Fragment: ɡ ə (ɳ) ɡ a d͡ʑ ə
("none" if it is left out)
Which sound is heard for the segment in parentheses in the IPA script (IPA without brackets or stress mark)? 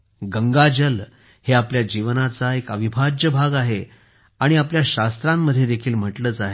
ŋ